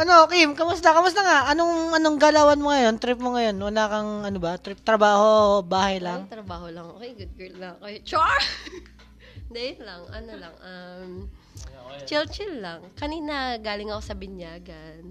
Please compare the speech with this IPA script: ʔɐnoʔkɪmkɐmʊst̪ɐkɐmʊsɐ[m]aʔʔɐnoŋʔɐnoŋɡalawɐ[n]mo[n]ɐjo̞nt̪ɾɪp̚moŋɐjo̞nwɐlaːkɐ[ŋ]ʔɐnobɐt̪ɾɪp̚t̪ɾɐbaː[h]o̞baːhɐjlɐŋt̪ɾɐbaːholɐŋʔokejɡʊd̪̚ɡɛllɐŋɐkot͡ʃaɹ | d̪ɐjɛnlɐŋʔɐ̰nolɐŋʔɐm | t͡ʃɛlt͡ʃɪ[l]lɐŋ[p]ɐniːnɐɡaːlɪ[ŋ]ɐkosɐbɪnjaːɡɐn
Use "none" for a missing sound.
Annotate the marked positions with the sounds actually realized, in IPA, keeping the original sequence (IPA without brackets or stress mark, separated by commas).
ŋ, n, ŋ, ŋ, h, l, k, ŋ